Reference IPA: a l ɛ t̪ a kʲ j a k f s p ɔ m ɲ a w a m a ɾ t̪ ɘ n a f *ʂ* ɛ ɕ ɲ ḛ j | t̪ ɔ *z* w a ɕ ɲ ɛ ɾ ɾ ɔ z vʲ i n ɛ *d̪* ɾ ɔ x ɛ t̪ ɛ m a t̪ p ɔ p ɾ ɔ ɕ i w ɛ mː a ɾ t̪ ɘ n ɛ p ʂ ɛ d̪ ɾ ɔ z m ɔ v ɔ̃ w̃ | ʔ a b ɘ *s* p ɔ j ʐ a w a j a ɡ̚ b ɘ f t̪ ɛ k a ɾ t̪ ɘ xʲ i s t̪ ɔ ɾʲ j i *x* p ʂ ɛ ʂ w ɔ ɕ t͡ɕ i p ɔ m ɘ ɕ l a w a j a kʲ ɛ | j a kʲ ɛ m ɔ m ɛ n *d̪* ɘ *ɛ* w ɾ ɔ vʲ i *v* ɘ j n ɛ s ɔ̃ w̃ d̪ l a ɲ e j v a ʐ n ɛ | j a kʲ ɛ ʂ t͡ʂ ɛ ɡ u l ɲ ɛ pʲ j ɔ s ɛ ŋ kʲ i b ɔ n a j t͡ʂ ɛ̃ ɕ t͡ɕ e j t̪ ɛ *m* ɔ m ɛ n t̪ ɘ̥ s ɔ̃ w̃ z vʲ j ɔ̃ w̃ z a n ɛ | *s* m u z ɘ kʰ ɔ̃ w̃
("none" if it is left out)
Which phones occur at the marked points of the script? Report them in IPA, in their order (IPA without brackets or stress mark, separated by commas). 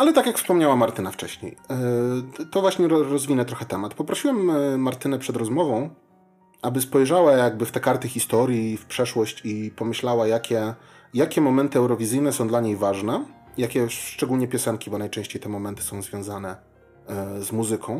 t͡ʂ, v, t̪, s, f, t̪, ɛ, z, m, z